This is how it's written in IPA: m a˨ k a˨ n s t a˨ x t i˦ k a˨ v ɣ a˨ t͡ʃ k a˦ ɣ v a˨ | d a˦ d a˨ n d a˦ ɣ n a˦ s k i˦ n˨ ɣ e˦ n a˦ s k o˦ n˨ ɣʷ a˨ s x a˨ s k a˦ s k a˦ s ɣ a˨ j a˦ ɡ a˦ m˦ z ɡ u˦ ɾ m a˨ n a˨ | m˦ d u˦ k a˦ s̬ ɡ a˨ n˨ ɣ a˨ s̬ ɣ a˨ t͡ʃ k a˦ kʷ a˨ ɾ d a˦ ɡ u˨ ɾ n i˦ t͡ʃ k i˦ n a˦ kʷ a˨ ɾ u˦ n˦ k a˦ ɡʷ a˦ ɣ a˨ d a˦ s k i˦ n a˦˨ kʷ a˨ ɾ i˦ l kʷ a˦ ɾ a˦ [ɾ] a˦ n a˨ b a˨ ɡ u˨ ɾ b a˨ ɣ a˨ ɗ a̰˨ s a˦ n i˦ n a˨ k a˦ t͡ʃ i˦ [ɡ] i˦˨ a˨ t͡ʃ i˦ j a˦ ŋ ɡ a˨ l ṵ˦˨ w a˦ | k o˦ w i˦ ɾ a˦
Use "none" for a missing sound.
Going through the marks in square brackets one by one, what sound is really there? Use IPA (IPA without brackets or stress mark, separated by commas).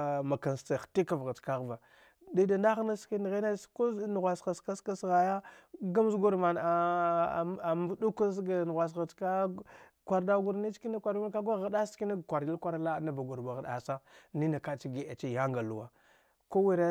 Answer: l, ɡ